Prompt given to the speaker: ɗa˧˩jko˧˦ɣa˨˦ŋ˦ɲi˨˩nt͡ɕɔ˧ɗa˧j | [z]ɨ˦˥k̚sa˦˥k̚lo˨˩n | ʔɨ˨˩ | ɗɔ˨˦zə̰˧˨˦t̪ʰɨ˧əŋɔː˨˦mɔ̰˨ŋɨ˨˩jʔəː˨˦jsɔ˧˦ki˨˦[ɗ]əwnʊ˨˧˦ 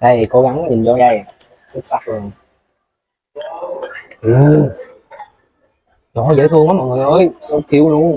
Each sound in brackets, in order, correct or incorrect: incorrect, incorrect

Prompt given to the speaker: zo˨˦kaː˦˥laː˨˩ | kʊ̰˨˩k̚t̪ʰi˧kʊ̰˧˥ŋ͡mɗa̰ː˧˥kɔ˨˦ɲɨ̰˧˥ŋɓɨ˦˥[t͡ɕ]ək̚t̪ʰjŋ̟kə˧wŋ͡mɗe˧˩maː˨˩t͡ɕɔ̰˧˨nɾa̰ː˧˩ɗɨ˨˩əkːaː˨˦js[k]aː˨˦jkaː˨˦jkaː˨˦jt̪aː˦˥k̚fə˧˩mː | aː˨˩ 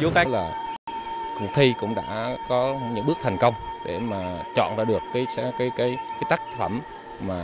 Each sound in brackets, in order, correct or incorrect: incorrect, correct

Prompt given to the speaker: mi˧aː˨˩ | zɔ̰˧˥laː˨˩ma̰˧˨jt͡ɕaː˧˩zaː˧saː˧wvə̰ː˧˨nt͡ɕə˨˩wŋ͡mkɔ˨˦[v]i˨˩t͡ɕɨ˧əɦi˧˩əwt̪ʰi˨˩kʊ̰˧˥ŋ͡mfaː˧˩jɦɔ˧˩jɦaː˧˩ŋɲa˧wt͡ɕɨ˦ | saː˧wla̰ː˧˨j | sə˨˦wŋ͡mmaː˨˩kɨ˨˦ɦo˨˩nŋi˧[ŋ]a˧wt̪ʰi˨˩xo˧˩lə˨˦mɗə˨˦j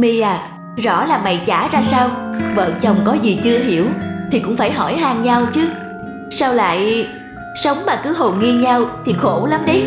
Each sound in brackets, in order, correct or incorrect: incorrect, incorrect

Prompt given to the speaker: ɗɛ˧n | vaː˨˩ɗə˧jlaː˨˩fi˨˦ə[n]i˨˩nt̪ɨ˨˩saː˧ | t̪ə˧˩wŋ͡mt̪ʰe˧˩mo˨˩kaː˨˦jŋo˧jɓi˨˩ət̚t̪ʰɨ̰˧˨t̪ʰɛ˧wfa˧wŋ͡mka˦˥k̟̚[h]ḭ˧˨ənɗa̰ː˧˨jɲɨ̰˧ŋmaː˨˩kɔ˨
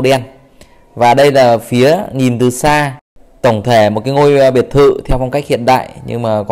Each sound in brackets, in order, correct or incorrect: incorrect, correct

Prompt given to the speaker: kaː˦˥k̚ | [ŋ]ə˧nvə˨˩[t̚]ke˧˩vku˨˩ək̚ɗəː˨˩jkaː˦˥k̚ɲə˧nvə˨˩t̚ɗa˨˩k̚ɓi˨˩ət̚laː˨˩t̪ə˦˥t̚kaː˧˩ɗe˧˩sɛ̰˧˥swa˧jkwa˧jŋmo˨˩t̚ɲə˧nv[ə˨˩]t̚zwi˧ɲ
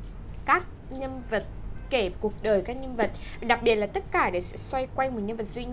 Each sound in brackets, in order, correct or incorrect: incorrect, correct, correct

